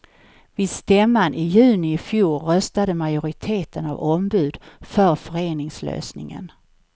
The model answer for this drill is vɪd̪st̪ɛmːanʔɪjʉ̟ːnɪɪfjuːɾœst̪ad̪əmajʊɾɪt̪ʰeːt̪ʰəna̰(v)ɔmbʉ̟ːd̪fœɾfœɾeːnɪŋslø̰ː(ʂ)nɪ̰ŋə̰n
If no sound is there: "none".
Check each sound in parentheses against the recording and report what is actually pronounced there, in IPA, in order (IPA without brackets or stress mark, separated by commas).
v, s